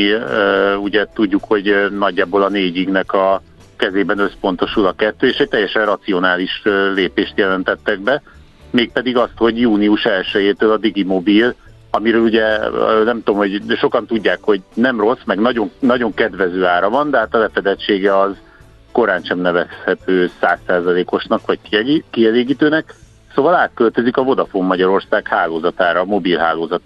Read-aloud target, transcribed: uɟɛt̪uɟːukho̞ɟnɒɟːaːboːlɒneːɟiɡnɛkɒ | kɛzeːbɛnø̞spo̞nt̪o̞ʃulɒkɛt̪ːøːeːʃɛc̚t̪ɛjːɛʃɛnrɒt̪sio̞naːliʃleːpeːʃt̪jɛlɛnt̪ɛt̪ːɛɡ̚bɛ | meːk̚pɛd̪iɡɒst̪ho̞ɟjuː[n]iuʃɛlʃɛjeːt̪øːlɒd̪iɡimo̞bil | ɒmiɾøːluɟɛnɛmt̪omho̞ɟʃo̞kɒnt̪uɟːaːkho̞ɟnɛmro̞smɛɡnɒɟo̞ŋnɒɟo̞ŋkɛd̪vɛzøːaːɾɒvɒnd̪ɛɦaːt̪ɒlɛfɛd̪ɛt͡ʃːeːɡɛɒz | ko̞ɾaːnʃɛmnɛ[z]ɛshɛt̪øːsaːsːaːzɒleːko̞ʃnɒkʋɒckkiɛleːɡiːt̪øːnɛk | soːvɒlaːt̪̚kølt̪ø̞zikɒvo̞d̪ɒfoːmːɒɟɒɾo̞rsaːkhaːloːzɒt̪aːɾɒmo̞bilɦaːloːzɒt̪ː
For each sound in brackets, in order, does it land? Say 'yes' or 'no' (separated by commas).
yes, no